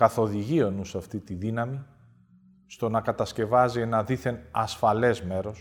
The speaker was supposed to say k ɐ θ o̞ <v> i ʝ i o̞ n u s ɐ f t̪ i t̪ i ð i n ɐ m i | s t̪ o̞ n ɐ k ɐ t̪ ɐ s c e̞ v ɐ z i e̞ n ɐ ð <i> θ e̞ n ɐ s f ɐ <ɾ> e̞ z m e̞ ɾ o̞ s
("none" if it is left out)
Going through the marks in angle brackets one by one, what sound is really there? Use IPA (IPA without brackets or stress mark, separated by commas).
ð, i, l